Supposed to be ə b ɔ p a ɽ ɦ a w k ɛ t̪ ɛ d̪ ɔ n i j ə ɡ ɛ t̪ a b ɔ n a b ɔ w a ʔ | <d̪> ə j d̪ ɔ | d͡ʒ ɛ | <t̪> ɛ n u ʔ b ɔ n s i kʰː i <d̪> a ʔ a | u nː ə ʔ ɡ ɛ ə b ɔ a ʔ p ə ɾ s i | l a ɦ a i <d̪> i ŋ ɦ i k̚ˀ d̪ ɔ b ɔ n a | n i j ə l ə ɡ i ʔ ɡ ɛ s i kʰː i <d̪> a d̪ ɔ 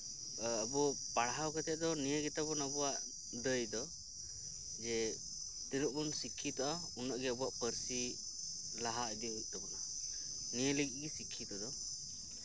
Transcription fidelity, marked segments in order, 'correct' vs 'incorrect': correct, correct, incorrect: t̪, correct, incorrect: t̪

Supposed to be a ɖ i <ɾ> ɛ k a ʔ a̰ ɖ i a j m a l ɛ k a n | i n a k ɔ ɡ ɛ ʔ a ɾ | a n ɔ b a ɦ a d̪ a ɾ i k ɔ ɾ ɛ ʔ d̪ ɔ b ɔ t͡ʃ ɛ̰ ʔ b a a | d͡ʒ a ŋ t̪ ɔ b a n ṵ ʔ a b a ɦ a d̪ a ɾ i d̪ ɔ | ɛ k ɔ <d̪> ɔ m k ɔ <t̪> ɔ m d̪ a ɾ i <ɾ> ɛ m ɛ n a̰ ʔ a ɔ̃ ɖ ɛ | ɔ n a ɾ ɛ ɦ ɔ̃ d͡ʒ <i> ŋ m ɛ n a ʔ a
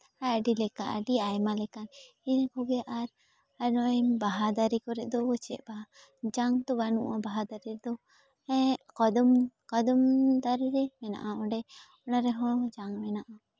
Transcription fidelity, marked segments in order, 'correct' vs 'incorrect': incorrect: l, correct, incorrect: d̪, correct, incorrect: a

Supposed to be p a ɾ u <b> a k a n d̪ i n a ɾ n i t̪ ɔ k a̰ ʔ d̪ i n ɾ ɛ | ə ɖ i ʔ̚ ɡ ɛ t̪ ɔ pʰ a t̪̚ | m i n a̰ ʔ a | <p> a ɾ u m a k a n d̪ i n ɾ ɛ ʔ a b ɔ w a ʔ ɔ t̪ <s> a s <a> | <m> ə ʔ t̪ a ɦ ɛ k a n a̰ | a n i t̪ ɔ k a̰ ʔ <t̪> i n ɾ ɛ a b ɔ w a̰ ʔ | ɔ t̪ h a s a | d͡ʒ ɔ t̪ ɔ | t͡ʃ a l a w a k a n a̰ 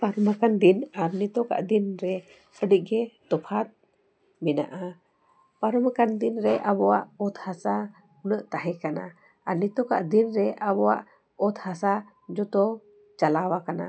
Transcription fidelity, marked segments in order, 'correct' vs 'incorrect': incorrect: m, correct, incorrect: h, correct, incorrect: n, incorrect: d̪

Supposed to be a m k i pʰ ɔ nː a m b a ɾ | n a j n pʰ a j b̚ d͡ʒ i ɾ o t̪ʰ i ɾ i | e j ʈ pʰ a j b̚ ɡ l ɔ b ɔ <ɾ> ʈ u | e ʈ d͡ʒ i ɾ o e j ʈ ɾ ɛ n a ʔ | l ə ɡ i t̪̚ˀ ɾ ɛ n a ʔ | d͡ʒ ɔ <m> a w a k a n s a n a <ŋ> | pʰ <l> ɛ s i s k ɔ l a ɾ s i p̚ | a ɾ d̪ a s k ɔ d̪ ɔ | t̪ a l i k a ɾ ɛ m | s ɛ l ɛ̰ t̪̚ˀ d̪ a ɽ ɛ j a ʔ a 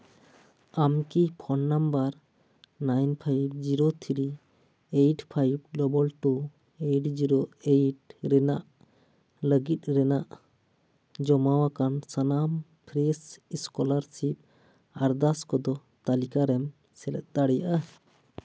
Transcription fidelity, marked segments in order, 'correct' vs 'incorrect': incorrect: l, correct, incorrect: m, incorrect: ɾ

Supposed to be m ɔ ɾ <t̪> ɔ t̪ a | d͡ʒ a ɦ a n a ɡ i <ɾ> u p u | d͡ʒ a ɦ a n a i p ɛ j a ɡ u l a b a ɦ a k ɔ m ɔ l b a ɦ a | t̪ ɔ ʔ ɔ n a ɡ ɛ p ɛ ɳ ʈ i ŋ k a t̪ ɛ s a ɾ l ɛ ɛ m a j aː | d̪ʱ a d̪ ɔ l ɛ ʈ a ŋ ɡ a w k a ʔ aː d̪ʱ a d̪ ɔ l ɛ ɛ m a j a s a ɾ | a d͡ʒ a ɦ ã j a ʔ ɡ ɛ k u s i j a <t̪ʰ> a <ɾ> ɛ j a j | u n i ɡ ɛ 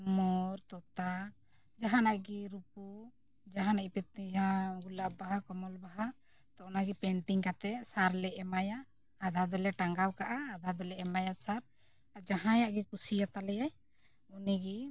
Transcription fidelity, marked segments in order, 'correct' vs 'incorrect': correct, correct, incorrect: t̪, incorrect: l

